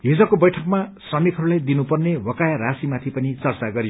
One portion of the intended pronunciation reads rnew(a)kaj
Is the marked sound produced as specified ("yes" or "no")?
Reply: no